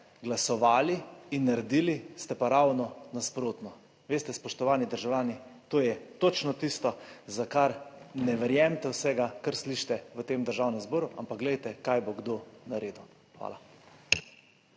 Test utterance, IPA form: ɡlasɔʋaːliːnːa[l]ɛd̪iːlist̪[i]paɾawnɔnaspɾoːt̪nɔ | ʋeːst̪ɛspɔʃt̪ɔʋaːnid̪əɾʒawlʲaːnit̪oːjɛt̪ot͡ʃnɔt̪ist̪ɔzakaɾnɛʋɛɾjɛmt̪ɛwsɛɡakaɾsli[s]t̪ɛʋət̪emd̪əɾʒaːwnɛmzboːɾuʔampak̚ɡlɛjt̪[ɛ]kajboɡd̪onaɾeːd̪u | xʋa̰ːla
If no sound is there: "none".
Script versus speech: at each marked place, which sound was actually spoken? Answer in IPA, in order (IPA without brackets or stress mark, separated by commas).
ɾ, ɛ, ʃ, ɛ